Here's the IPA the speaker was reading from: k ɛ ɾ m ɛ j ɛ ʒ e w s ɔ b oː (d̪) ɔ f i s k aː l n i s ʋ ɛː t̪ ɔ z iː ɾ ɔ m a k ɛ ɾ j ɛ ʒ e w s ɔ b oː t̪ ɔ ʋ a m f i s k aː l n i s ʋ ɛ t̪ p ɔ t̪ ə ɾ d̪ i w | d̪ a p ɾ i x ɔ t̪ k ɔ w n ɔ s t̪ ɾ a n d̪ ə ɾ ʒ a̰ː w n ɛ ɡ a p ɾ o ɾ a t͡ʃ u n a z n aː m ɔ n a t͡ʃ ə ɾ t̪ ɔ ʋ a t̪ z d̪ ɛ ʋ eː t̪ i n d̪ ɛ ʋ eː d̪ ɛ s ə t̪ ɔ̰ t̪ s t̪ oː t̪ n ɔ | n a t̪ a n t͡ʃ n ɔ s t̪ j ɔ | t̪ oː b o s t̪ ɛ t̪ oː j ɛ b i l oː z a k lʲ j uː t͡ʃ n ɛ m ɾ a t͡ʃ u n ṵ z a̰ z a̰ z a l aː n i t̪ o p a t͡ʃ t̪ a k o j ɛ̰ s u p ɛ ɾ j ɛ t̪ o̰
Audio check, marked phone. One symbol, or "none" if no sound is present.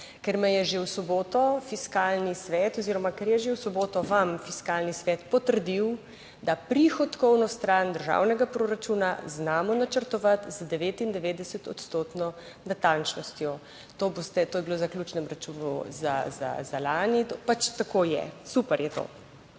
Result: t̪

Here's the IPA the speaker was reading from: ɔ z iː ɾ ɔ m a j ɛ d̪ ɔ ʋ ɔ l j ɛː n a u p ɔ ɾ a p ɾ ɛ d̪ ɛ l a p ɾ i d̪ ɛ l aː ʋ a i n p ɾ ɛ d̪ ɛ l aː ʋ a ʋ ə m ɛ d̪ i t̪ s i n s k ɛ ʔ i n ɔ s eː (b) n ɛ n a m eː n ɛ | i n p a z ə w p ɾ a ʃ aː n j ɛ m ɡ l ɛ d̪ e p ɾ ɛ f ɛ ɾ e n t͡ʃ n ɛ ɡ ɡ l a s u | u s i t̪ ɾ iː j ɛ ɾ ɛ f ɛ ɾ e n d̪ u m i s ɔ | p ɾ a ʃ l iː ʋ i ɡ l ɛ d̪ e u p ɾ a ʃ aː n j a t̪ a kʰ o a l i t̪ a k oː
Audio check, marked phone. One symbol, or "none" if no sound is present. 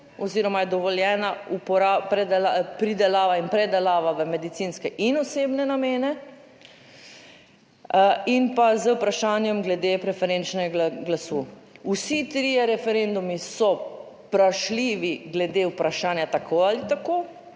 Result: b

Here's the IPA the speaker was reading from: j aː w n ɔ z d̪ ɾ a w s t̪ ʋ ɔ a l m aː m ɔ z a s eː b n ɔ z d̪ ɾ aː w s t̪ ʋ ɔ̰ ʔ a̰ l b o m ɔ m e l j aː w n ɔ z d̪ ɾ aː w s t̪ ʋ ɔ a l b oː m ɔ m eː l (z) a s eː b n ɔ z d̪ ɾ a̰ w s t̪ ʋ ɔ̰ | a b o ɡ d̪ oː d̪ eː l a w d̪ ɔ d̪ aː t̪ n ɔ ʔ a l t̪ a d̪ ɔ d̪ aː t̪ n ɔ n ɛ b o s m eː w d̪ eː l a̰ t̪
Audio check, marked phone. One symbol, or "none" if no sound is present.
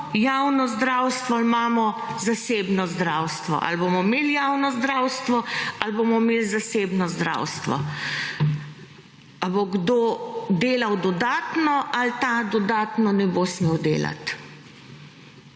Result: z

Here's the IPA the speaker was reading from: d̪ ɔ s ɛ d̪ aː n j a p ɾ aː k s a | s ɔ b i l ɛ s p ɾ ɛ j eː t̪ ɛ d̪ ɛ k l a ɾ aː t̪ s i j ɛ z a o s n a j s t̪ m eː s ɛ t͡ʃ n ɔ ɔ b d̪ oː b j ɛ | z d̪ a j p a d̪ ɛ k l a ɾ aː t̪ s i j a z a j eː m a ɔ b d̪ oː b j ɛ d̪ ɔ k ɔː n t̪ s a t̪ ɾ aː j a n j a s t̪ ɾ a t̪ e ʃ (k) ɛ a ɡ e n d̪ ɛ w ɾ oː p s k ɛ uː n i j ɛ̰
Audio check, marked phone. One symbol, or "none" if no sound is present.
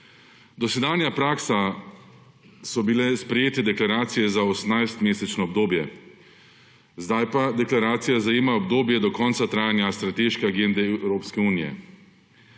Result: k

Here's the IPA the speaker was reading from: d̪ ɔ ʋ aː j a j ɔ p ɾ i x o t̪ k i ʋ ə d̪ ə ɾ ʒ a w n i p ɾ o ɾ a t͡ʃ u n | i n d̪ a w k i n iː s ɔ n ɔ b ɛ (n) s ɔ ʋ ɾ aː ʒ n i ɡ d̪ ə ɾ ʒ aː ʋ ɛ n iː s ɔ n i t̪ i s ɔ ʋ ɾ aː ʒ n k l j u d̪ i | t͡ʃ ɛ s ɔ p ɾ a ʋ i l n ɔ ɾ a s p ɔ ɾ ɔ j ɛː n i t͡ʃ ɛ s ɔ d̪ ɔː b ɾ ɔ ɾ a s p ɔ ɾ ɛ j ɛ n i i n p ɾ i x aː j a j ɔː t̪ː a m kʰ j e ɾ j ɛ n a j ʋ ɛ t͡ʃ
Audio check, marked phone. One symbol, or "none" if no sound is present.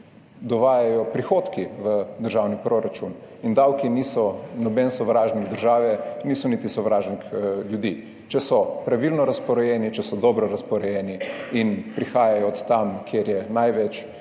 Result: n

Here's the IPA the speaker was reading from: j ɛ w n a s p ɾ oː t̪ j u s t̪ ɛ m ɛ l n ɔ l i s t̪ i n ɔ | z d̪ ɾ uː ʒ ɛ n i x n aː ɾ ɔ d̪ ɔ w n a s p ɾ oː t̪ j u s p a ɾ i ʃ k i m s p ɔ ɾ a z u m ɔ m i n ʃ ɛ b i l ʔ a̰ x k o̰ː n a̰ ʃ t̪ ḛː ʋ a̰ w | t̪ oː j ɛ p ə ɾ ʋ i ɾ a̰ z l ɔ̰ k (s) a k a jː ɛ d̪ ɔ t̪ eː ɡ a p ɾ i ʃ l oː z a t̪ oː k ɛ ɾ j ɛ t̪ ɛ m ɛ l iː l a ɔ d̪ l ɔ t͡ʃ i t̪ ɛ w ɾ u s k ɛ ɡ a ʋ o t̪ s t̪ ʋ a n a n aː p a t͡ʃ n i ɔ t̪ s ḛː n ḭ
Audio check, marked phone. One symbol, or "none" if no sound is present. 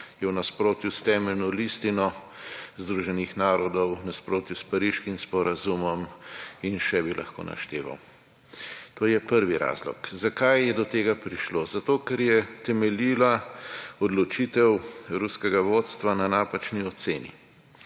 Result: z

